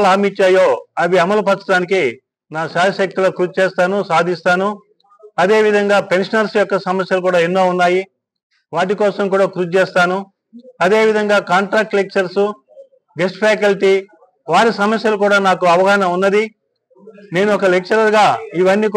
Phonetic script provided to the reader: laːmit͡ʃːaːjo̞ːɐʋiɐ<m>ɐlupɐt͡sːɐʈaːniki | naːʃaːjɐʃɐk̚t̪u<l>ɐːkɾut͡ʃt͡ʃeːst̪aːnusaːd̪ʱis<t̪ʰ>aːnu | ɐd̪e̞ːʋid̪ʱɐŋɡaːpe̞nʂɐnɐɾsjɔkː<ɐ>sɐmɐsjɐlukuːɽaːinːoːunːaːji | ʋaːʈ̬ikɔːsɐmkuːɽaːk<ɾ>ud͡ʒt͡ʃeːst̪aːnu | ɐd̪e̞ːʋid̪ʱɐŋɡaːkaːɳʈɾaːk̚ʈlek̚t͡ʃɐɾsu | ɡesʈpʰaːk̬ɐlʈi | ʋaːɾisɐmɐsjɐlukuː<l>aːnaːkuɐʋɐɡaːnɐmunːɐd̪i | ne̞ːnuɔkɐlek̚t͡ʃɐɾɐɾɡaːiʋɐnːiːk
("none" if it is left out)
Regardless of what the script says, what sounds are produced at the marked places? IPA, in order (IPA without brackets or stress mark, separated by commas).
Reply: m, l, t̪, ɐ, ɾ, ɽ